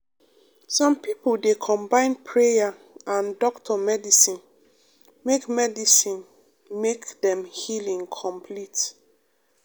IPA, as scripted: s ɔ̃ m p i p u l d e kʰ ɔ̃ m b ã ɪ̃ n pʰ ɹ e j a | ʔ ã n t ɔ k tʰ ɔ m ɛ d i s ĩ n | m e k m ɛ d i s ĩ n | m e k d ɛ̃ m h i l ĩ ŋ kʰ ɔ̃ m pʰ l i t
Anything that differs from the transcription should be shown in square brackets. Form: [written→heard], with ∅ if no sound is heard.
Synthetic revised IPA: s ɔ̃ m p i p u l d e kʰ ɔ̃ m b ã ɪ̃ n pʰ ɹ e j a | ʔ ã n [t→d] ɔ k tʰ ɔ m ɛ d i s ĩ n | m e k m ɛ d i s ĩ n | m e k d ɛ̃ m h i l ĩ ŋ kʰ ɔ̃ m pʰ l i t